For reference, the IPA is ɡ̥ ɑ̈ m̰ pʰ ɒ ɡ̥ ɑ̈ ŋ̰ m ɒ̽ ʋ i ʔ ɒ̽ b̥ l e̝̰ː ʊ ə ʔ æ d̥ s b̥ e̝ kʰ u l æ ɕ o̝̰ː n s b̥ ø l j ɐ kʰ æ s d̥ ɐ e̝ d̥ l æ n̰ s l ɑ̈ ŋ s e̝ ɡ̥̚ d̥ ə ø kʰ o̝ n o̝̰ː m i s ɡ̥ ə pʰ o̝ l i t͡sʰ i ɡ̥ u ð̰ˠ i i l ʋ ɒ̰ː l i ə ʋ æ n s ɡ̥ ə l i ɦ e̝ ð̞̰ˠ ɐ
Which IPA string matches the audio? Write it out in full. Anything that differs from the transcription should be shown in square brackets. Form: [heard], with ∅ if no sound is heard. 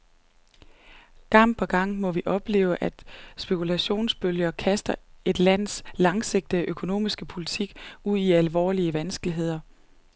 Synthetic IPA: ɡ̥ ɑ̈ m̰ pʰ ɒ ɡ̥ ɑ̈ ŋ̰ m ɒ̽ ʋ i ʔ ɒ̽ b̥ l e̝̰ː ʊ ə ʔ æ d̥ s b̥ e̝ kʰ u l æ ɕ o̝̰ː n s b̥ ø l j ɐ kʰ æ s d̥ ɐ e̝ d̥ l æ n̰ s l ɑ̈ ŋ s e̝ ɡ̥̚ d̥ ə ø kʰ o̝ n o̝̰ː m i s ɡ̥ ə pʰ o̝ l i t͡sʰ i ɡ̥ u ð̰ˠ i [æ] l ʋ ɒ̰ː l i ə ʋ æ n s ɡ̥ ə l i ɦ e̝ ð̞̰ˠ ɐ